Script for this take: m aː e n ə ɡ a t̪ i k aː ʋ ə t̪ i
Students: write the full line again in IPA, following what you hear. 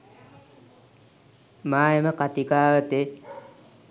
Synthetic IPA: m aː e m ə k a t̪ i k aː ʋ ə t̪ e